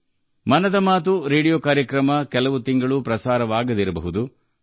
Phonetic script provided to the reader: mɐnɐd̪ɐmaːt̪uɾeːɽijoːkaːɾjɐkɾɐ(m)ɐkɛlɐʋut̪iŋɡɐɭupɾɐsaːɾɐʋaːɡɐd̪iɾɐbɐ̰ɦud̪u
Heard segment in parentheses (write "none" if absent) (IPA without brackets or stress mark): m